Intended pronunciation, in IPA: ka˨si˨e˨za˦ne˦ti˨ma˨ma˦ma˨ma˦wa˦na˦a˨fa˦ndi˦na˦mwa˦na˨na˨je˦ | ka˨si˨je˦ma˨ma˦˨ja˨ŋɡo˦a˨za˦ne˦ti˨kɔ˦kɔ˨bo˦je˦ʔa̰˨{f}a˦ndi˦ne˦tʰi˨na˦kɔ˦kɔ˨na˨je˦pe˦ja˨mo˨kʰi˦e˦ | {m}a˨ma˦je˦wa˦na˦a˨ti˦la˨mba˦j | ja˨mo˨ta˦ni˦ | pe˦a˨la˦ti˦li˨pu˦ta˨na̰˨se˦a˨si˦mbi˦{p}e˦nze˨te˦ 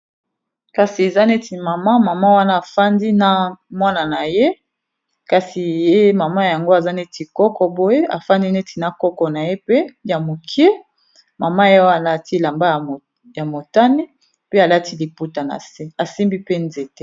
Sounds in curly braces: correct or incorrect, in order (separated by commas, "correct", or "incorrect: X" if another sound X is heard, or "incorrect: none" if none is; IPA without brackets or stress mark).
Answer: correct, correct, correct